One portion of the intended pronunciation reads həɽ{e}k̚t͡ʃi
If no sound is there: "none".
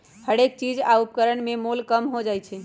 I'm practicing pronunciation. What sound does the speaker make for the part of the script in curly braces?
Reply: e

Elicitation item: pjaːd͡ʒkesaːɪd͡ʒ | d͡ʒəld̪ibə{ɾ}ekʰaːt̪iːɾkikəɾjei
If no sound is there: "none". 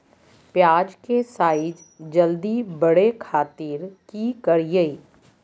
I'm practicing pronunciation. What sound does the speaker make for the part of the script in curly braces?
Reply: ɽ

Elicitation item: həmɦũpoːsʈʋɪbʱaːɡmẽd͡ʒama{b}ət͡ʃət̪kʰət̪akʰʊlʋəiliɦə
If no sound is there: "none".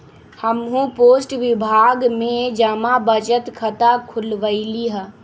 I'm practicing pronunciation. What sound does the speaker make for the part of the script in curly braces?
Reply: b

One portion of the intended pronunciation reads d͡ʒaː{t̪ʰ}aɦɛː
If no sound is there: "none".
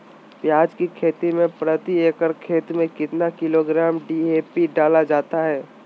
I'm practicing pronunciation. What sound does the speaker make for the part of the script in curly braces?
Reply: t̪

